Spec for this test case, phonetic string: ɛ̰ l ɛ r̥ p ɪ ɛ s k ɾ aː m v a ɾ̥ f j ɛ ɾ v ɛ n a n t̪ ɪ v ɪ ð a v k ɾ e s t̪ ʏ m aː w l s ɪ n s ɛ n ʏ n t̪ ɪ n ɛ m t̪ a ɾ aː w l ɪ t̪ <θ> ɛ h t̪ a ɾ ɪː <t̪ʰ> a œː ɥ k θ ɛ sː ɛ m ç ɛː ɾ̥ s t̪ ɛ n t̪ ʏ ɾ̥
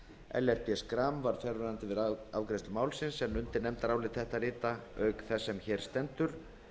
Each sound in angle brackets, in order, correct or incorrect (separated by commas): correct, incorrect